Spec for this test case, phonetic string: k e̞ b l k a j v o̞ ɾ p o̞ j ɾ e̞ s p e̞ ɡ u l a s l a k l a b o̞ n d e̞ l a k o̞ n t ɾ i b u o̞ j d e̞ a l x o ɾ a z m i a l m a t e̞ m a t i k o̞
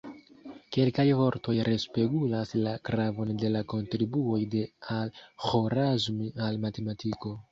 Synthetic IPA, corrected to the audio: k e̞ l k a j v o̞ ɾ t o̞ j ɾ e̞ s p e̞ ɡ u l a s l a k ɾ a v o̞ n d e̞ l a k o̞ n t ɾ i b u o̞ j d e̞ a l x o ɾ a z m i a l m a t e̞ m a t i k o̞